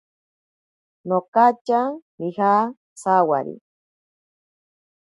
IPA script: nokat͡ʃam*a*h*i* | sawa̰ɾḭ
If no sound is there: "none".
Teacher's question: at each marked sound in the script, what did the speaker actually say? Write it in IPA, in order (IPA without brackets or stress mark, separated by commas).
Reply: i, a